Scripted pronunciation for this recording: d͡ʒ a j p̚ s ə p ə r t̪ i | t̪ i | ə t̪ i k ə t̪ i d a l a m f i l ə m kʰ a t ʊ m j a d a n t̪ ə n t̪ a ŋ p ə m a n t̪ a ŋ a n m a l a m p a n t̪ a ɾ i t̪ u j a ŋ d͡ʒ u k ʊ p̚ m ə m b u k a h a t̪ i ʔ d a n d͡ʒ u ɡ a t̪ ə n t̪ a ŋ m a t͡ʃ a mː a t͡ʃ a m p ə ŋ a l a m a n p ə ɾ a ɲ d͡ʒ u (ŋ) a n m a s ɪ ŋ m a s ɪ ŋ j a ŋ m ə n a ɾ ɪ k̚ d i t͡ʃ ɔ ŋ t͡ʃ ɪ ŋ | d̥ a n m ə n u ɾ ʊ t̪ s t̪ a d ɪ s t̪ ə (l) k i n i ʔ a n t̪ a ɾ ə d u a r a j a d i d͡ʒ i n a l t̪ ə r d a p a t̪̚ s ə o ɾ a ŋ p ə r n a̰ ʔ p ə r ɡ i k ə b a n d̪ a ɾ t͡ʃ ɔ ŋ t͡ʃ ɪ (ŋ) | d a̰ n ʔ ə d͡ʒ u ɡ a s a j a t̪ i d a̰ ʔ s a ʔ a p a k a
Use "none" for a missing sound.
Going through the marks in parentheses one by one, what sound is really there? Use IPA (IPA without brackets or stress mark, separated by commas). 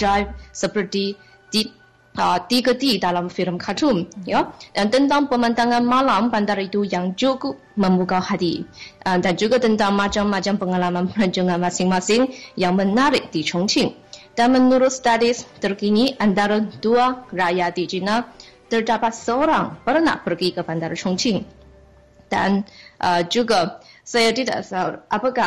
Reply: ŋ, r, ŋ